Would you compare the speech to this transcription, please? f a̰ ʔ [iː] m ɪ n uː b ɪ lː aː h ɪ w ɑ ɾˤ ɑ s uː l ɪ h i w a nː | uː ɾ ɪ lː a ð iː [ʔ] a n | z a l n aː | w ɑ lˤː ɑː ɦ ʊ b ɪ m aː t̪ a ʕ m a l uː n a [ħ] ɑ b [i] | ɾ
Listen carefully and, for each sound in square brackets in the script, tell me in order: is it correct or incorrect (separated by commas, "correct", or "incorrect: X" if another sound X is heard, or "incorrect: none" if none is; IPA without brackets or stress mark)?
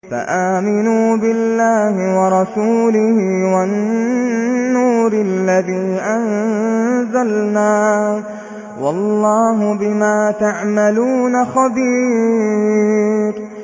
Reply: incorrect: aː, correct, incorrect: x, incorrect: iː